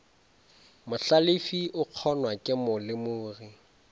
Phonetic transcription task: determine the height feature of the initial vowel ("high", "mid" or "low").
high